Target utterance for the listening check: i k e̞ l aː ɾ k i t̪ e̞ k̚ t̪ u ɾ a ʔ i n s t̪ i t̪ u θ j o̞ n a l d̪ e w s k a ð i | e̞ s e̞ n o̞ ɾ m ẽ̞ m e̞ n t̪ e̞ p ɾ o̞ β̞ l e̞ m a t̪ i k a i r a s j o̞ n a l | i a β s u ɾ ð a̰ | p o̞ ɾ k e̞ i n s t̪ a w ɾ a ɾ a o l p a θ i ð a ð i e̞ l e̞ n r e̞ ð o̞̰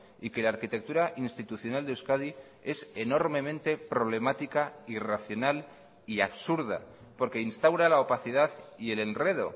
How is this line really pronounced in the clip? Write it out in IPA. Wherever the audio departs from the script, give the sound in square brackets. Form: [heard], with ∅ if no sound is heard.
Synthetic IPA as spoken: i k e̞ l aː ɾ k i t̪ e̞ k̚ t̪ u ɾ a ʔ i n s t̪ i t̪ u θ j o̞ n a l d̪ e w s k a ð i | e̞ s e̞ n o̞ ɾ m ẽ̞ m [ẽ̞] n t̪ e̞ p ɾ o̞ β̞ l e̞ m a t̪ i k a i r a [θ] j o̞ n a l | i a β s u ɾ ð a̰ | p o̞ ɾ k e̞ i n s t̪ a w ɾ a [l] a o [∅] p a θ i ð a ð i e̞ l e̞ n r e̞ ð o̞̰